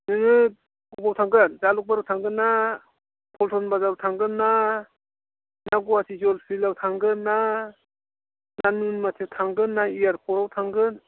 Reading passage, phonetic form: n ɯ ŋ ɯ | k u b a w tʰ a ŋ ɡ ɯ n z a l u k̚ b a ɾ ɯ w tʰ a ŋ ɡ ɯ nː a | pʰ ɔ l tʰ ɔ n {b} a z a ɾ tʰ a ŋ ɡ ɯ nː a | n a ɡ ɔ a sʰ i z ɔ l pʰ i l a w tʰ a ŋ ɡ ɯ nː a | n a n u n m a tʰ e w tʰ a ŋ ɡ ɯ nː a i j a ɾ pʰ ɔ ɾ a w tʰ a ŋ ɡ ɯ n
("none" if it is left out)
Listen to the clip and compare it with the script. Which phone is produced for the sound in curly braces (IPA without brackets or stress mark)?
b